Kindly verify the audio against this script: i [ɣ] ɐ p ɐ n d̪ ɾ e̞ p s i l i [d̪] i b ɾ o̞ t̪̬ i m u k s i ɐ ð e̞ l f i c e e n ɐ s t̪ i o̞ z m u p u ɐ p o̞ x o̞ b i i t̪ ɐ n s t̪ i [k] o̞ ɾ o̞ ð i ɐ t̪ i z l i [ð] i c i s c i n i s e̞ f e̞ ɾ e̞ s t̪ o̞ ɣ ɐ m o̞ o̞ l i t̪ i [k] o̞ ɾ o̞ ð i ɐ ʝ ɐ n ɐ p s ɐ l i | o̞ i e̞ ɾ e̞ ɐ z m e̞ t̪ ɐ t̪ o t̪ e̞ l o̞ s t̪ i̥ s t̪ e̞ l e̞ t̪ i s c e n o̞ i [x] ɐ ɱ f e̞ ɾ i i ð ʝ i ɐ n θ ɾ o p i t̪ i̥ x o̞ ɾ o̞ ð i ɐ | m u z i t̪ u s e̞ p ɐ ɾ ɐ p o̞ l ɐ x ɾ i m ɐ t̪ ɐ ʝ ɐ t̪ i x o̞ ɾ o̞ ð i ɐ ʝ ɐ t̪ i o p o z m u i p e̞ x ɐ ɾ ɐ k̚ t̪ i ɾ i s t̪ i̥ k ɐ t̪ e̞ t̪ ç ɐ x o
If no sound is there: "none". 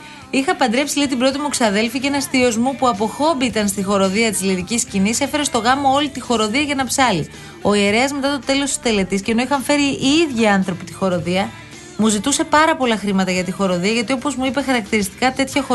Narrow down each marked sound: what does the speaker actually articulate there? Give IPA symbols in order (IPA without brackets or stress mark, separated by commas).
x, t̪, x, ð, x, x